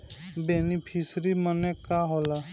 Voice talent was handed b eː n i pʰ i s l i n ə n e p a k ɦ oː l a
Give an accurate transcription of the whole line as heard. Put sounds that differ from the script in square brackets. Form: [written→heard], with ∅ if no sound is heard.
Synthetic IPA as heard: b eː n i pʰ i s [l→ɾ] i [n→m] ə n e [p→k] a [k→∅] ɦ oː l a